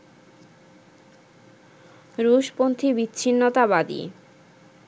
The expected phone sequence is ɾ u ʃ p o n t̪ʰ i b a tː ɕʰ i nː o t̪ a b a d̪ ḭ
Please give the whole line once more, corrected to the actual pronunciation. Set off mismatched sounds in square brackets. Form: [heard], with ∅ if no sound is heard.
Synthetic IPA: ɾ u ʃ p o n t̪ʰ i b [i] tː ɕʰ i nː o t̪ a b a d̪ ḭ